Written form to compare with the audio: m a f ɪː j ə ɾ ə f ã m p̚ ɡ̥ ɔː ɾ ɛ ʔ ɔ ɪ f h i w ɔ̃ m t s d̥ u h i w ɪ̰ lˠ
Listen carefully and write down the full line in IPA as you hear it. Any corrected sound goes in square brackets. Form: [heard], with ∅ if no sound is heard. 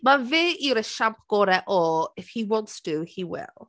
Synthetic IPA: m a [v] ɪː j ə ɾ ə [ʃ] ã m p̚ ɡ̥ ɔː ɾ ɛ ʔ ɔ ɪ f h i w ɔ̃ [n] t s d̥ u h i w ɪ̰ lˠ